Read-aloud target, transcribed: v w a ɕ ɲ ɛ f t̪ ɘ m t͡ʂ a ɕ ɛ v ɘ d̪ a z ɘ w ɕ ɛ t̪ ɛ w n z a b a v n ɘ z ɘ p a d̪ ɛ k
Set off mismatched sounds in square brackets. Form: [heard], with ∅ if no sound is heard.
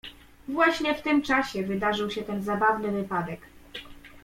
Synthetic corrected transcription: v w a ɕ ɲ ɛ f t̪ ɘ m t͡ʂ a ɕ ɛ v ɘ d̪ a [ʐ] ɘ w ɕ ɛ t̪ ɛ [∅] n z a b a v n ɘ [v] ɘ p a d̪ ɛ k